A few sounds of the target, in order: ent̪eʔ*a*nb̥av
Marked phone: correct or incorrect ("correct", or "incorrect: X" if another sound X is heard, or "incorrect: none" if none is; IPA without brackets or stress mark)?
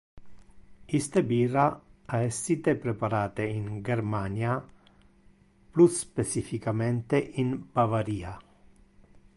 incorrect: i